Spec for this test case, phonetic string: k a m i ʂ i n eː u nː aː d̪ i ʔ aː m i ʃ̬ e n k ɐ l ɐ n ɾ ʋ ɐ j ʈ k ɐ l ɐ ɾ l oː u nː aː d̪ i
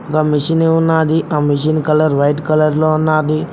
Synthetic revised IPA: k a m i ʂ i n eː u nː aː d̪ i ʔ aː m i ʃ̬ i n k ɐ l ɐ ɾ ʋ ɐ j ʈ k ɐ l ɐ ɾ l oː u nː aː d̪ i